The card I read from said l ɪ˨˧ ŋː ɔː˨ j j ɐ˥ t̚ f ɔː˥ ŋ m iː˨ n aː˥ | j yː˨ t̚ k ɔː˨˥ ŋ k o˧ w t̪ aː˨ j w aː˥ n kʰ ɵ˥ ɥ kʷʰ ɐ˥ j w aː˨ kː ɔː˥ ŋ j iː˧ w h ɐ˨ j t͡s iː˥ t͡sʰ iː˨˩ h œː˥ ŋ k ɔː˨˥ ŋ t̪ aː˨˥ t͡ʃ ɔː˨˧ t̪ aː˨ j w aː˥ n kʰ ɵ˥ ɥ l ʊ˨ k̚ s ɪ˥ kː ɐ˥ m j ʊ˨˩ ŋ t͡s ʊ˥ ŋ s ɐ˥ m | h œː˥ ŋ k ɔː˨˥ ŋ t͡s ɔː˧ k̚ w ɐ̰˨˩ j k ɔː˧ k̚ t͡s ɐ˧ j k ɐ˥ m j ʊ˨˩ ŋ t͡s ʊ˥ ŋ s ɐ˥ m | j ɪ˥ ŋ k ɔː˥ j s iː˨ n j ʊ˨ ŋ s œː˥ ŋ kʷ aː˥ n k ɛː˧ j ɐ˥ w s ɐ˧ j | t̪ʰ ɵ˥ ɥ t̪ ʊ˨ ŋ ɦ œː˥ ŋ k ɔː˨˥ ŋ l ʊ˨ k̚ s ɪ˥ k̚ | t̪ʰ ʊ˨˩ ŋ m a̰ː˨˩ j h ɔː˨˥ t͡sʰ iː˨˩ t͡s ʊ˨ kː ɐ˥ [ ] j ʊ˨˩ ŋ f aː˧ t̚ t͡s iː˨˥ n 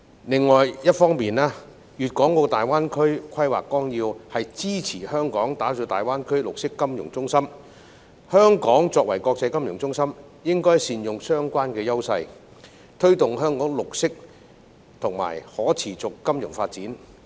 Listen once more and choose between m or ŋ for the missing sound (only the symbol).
m